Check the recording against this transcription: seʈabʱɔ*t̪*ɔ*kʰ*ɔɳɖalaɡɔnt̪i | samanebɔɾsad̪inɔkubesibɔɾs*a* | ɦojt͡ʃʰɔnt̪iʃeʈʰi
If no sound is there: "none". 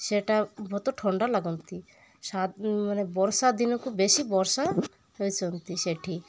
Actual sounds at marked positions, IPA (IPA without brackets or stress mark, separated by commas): t̪, ʈʰ, a